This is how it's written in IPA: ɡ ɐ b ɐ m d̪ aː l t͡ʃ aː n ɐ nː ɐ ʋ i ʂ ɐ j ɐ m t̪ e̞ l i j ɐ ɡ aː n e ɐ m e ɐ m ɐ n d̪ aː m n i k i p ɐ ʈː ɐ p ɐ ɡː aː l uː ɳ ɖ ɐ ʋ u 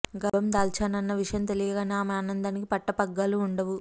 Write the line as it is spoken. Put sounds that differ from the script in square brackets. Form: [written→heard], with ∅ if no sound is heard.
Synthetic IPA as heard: ɡ ɐ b ɐ m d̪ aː l t͡ʃ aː n ɐ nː ɐ ʋ i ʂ ɐ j ɐ m t̪ e̞ l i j ɐ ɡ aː n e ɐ m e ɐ [m→n] ɐ n d̪ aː [m→∅] n i k i p ɐ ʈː ɐ p ɐ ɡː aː l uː ɳ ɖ ɐ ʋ u